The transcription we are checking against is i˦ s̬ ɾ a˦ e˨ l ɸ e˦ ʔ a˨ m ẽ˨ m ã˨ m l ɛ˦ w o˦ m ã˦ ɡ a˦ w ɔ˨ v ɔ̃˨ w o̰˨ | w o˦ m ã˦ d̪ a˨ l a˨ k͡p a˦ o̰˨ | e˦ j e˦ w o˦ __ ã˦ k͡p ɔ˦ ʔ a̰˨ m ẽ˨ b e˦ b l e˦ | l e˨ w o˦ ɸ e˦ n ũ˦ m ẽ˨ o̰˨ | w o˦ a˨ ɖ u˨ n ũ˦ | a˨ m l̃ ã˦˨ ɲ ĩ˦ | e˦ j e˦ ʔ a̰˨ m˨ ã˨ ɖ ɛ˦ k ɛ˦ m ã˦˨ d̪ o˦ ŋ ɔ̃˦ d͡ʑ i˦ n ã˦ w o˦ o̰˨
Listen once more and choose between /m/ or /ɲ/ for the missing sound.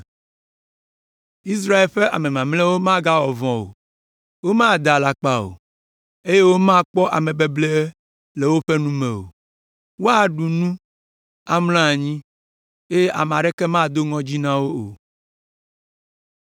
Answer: m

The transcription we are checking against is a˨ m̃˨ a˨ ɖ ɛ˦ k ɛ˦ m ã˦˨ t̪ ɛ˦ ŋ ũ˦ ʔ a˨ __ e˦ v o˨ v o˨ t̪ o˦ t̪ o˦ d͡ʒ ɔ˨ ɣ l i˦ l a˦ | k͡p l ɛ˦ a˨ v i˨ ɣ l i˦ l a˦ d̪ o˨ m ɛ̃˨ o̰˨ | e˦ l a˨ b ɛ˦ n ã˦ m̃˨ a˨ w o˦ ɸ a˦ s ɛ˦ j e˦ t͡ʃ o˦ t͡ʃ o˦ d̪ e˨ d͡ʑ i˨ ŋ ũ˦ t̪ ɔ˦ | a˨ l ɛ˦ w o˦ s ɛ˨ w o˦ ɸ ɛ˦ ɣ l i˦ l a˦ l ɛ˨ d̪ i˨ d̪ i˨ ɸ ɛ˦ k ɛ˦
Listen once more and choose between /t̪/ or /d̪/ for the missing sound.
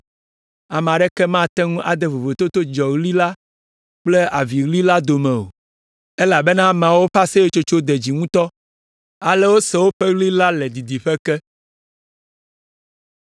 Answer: d̪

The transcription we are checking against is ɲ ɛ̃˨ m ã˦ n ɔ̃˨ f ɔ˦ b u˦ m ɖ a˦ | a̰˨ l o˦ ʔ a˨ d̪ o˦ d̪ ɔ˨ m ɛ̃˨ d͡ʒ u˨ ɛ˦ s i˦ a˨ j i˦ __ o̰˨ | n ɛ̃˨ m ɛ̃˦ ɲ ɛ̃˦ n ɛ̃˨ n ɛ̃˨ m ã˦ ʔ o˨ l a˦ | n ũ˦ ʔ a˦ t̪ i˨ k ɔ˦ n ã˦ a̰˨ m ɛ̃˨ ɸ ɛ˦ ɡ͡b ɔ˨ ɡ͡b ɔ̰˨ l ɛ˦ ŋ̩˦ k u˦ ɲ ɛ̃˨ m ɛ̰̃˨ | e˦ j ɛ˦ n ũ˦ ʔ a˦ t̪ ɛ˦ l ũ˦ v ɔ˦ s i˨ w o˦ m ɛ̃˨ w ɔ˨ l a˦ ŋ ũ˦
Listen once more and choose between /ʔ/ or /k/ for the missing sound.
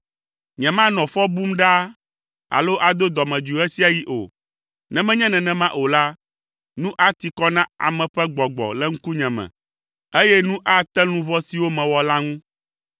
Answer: ʔ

